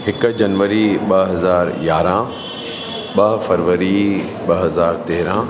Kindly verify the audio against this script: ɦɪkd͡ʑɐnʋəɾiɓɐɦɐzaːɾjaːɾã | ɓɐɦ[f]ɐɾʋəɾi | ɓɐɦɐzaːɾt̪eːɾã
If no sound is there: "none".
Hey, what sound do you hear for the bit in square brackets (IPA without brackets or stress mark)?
f